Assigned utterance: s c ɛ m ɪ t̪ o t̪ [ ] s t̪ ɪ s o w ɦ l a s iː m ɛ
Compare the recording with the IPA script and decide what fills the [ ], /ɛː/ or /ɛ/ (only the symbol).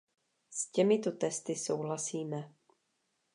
ɛ